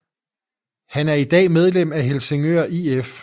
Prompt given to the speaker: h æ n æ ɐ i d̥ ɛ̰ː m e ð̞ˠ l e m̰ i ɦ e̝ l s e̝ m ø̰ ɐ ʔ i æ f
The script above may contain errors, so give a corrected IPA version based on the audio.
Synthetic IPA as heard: h æ n æ ɐ i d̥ ɛ̰ː m e ð̞ˠ l e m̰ æ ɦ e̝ l s e̝ ŋ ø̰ ɐ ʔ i e f